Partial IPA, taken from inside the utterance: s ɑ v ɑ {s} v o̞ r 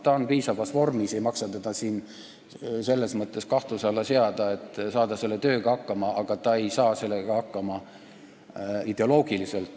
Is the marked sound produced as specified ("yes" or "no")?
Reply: yes